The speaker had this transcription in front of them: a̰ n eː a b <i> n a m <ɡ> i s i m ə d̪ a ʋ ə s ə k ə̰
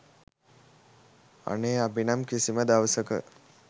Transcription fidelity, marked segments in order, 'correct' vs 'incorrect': correct, incorrect: k

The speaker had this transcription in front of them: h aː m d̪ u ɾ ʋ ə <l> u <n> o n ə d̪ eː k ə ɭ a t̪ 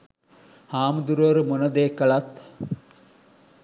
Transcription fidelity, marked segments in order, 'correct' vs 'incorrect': incorrect: ɾ, incorrect: m

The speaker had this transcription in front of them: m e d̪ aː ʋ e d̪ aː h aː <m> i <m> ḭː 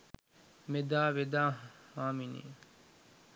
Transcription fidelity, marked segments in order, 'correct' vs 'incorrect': correct, incorrect: n

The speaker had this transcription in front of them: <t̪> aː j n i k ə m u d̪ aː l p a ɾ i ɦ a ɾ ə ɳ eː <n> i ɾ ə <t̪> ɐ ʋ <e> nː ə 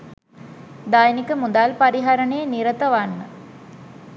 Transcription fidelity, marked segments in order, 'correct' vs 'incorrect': incorrect: d̪, correct, correct, incorrect: a

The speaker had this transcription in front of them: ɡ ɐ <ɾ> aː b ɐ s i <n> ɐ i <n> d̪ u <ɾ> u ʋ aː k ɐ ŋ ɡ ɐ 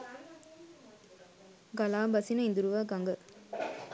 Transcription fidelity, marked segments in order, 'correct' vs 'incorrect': incorrect: l, correct, correct, correct

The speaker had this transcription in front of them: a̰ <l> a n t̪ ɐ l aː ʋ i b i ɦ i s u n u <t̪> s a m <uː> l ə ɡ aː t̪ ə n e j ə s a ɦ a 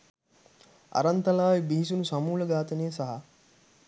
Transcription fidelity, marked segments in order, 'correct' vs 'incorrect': incorrect: ɾ, incorrect: none, correct

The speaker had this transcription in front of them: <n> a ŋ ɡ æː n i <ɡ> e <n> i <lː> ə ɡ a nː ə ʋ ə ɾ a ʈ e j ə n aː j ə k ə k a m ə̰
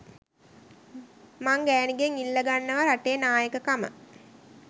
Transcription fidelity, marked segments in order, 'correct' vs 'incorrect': incorrect: m, correct, incorrect: ŋ, correct

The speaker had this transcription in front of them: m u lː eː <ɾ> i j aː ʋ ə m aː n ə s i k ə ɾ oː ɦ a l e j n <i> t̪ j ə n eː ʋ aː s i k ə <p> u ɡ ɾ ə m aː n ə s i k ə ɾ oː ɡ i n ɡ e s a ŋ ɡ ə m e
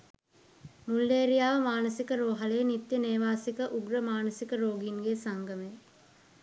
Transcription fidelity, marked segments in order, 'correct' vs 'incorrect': correct, correct, incorrect: ʔ

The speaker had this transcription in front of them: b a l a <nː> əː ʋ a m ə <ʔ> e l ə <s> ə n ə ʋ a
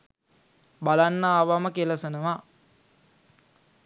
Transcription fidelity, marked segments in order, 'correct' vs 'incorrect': correct, incorrect: k, correct

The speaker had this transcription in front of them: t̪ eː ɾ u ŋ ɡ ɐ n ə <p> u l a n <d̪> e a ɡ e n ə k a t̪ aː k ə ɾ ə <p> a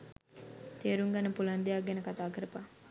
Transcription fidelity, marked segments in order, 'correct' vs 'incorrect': correct, correct, correct

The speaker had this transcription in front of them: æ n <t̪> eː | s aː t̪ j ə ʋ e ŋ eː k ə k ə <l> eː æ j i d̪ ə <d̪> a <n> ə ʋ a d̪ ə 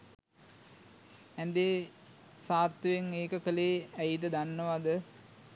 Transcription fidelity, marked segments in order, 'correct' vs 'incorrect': incorrect: d̪, correct, correct, incorrect: nː

